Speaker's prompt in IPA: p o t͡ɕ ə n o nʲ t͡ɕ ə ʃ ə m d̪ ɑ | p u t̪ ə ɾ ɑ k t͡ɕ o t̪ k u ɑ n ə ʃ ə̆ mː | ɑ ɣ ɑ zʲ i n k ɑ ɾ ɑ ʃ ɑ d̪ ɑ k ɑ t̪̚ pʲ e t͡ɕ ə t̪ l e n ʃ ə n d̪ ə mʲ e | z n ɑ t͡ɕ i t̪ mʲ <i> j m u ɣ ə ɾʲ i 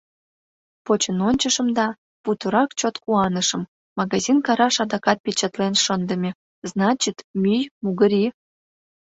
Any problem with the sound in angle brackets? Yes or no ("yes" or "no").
yes